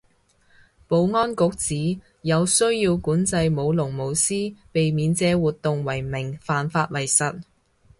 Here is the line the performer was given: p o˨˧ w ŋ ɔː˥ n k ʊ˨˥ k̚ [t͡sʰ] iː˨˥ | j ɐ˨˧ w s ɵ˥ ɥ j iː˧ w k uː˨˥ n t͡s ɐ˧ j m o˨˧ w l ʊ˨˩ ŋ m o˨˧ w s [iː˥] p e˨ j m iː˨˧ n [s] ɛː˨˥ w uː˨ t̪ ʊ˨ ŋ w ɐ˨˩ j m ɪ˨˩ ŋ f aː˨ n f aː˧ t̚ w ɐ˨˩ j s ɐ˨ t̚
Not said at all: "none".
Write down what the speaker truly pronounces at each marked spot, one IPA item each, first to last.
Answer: t͡s, iː˥, t͡s

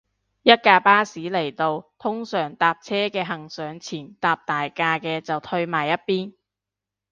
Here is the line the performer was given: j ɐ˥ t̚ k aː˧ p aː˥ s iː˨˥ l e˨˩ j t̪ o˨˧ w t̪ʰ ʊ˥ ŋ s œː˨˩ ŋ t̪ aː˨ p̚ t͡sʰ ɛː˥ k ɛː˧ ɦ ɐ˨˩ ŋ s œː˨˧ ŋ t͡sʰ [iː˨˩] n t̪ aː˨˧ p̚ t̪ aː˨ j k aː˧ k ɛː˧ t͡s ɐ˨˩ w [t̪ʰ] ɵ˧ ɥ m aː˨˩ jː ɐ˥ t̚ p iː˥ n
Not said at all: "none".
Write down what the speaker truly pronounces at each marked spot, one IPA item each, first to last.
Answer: iː˨˩, t̪ʰ

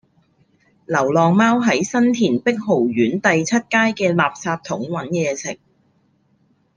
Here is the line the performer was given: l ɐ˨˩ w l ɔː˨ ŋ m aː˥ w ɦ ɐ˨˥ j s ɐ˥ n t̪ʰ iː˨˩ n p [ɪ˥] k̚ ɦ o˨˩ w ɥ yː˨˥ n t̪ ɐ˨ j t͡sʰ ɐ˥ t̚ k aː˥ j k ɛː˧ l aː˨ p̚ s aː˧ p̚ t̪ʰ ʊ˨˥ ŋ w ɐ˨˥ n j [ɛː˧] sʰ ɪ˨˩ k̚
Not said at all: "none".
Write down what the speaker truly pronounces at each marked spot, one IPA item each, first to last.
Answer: ɪ˥, ɛː˧

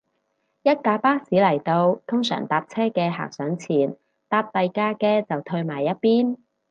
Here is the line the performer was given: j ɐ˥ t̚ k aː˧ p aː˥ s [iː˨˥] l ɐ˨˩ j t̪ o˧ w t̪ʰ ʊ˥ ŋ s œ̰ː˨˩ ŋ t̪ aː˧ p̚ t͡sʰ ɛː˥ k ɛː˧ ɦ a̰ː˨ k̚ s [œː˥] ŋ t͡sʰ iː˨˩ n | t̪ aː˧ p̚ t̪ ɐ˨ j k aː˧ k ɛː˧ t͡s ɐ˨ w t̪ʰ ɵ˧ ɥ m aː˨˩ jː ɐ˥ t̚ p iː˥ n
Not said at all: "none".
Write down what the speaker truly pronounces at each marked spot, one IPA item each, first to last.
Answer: iː˨˥, œː˨˥

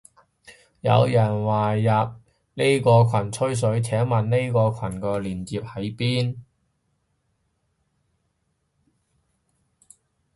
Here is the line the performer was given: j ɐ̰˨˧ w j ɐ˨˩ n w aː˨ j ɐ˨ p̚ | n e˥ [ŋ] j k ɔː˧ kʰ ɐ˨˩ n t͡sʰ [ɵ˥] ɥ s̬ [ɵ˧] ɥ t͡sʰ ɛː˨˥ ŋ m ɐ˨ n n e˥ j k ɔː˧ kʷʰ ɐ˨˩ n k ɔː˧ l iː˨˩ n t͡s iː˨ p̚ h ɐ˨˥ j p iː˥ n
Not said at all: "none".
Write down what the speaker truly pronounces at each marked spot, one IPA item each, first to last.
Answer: none, ɵ˥, ɵ˨˥

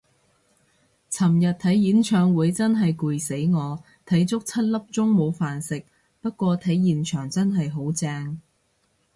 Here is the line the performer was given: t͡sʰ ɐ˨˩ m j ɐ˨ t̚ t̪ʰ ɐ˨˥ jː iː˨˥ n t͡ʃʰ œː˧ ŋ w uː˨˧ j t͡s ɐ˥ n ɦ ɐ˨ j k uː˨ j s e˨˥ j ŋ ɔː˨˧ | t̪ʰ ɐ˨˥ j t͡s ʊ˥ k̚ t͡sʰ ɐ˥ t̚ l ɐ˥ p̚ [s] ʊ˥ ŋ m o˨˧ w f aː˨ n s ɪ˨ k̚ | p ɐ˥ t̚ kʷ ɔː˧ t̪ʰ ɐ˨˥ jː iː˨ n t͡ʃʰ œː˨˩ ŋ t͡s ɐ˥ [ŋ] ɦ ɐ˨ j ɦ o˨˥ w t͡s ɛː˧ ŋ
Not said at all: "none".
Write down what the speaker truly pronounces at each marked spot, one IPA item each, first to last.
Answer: t͡s, n

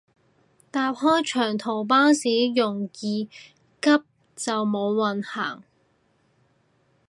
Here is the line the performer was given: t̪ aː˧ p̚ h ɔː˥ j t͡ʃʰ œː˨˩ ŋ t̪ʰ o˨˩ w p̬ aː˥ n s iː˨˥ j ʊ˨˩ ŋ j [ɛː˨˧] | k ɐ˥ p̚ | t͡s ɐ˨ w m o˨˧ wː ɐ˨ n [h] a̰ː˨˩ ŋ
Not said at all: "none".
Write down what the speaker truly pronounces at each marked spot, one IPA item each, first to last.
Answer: iː˨˧, h

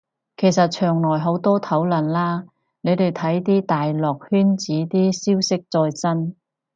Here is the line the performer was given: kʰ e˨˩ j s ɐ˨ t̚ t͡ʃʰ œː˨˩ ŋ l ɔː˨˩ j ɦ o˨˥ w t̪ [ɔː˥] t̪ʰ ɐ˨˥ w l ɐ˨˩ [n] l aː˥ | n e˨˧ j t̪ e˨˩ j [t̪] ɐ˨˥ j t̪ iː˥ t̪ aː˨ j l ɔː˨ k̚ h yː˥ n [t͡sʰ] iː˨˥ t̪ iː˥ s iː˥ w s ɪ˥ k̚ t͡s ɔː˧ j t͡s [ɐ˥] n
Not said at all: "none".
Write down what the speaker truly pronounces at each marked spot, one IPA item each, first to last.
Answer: ɔː˥, n, t̪ʰ, t͡s, ɐ˥

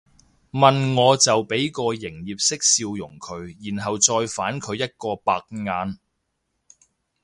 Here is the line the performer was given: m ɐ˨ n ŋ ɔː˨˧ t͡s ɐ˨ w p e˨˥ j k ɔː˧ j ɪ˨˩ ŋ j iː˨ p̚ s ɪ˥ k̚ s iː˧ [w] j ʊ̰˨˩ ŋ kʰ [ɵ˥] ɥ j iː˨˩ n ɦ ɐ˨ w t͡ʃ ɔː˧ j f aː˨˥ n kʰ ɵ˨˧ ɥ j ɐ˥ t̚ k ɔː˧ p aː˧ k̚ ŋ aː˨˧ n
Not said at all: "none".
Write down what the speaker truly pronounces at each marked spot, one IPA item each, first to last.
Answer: w, ɵ˨˧

